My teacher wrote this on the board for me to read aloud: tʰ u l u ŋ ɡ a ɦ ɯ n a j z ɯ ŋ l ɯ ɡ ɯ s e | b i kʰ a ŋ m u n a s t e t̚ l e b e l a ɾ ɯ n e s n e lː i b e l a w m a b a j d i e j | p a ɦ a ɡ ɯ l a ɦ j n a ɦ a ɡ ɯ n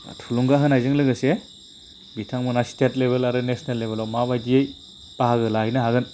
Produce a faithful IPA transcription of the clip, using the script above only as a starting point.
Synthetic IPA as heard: tʰ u l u ŋ ɡ a ɦ ɯ n a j z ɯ ŋ l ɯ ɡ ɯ s e | b i tʰ a ŋ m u n a s t e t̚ l e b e l a ɾ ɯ n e s n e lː e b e l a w m a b a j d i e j | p a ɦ a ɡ ɯ l a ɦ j n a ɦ a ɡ ɯ n